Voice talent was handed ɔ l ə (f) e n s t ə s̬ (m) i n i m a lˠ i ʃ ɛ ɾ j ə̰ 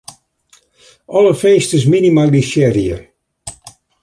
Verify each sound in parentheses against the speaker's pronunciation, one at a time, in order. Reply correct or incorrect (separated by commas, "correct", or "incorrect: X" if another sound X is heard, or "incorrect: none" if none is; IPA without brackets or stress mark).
correct, correct